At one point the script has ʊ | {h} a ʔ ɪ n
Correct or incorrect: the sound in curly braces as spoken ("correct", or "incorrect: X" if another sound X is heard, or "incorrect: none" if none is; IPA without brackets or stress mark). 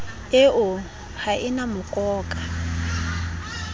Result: correct